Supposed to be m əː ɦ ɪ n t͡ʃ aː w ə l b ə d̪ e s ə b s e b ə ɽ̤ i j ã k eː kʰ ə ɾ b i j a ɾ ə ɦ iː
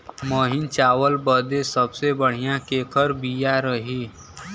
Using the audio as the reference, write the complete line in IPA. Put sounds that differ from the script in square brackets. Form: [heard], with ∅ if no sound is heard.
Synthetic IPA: m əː ɦ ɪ n t͡ʃ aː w ə l b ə d̪ e s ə b s e b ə ɽ̤ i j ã k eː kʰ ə ɾ b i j a ɾ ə ɦ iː